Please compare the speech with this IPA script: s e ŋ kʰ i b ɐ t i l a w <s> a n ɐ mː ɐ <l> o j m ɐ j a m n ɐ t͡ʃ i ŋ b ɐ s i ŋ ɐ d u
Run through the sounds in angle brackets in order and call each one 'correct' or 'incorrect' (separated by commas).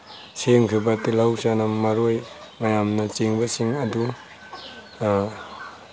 correct, incorrect